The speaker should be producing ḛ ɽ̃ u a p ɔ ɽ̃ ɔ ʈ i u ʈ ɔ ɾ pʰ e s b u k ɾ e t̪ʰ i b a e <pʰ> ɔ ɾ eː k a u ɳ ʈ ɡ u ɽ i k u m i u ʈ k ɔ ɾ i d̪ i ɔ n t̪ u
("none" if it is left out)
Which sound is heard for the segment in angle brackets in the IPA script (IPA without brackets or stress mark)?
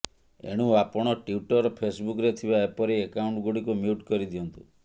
p